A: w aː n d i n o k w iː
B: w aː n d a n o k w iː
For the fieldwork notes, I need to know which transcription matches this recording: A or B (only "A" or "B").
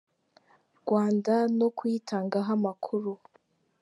B